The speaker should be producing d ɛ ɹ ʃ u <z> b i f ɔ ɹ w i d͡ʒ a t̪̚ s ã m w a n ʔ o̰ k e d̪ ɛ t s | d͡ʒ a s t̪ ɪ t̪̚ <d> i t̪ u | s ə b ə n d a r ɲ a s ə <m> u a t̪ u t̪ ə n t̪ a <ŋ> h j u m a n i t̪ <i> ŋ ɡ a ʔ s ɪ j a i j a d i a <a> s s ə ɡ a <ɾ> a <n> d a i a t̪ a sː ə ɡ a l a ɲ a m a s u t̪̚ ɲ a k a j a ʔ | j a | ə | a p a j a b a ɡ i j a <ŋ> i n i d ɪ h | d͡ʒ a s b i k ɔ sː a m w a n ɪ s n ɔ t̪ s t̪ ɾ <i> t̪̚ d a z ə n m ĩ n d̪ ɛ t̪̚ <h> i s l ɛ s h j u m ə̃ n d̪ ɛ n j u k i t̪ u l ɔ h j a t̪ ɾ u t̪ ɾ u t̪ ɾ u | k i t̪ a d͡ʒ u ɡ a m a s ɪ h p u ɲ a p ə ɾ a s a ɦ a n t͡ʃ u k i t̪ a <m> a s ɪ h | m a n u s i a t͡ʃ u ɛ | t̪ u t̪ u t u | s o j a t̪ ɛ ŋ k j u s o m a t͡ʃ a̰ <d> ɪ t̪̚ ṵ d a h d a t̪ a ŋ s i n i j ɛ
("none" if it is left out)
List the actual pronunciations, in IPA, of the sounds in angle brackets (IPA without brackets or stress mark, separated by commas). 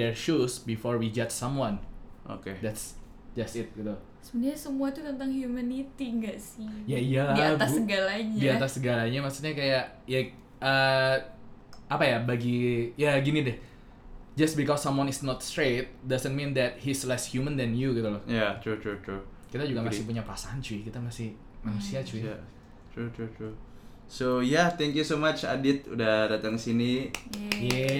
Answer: s, ɡ, m, ŋ, i, a, l, ɲ, ɡ, e, h, m, d